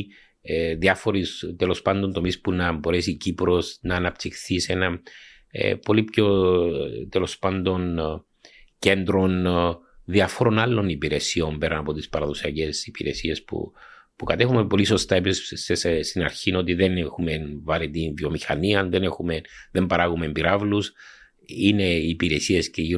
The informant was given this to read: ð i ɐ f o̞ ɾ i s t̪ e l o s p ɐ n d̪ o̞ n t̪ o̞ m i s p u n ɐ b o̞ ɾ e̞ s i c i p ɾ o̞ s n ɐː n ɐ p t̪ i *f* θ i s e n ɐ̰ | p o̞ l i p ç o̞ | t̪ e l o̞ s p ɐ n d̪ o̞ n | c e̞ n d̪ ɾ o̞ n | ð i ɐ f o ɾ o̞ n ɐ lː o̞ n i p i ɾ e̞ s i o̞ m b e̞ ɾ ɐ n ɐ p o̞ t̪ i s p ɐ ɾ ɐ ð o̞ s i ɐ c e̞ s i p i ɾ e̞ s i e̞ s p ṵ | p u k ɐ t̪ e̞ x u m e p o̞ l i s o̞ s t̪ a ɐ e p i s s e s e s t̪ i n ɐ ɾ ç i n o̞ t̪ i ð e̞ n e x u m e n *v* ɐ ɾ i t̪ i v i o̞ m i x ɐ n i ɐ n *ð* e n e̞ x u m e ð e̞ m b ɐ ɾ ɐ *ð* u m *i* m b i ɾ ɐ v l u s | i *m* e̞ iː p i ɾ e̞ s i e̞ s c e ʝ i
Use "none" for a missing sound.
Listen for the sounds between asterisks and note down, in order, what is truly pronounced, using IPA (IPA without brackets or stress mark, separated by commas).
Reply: x, v, ð, ɣ, e, n